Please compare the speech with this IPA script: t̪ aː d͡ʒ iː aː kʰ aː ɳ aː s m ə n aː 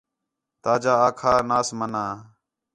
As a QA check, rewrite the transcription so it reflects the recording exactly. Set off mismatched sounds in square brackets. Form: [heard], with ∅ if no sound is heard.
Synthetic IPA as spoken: t̪ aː d͡ʒ [aː] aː kʰ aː [n] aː s m ə n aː